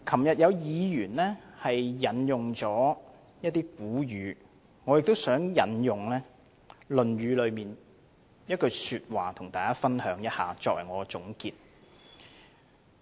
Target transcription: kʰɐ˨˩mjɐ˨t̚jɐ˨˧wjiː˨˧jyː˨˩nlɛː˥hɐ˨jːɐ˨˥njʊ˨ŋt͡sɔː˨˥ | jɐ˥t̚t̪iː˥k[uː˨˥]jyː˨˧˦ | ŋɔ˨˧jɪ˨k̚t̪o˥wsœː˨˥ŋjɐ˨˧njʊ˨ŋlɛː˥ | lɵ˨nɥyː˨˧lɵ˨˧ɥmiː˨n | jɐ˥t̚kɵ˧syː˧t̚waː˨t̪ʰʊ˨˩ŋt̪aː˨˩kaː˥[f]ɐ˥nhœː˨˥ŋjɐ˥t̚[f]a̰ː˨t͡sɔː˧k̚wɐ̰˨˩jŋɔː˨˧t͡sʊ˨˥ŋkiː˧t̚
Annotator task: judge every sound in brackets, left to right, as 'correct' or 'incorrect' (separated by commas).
correct, correct, incorrect